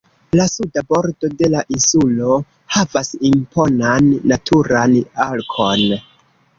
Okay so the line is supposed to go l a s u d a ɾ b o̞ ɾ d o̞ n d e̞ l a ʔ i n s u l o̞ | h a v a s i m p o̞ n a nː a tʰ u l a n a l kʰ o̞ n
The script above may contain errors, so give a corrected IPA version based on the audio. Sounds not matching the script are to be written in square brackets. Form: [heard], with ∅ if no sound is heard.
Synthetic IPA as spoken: l a s u d a [∅] b o̞ ɾ d o̞ [∅] d e̞ l a ʔ i n s u l o̞ | h a v a s i m p o̞ n a nː a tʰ u [ɾ] a n a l kʰ o̞ n